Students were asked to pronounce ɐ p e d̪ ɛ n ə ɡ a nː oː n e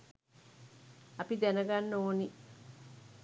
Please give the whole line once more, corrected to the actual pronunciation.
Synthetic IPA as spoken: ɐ p i d̪ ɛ n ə ɡ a nː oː n i